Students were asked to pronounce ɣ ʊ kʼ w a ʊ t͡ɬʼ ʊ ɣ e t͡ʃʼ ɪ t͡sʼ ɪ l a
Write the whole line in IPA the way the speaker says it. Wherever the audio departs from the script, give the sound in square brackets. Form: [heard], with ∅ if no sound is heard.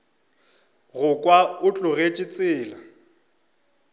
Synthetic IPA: ɣ ʊ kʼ w a ʊ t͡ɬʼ ʊ ɣ e t͡ʃʼ ɪ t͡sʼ [ɪː] l a